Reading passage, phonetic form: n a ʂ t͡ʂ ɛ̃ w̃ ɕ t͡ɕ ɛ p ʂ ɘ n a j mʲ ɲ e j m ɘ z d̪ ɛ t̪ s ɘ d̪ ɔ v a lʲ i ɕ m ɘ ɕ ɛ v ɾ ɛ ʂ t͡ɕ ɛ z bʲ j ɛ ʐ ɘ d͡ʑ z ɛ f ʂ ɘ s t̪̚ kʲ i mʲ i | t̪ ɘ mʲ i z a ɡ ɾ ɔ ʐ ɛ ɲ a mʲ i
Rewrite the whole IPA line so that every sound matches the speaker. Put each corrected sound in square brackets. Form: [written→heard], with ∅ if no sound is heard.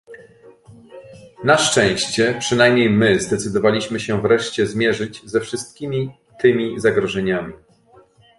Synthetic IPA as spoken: n a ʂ t͡ʂ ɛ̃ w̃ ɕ t͡ɕ ɛ p ʂ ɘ n a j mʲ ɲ e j m ɘ z d̪ ɛ t̪ s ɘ d̪ ɔ v a lʲ i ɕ m ɘ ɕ ɛ v ɾ ɛ ʂ t͡ɕ ɛ z [bʲ→mʲ] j ɛ ʐ ɘ d͡ʑ z ɛ f ʂ ɘ s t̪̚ kʲ i mʲ i | t̪ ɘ mʲ i z a ɡ ɾ ɔ ʐ ɛ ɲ a mʲ i